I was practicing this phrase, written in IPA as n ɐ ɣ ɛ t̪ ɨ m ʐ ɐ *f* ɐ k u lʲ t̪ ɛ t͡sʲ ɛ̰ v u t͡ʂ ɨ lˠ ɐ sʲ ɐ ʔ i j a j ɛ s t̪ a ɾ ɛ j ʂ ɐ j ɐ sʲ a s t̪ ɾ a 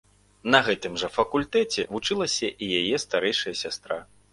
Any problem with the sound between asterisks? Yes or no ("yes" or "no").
no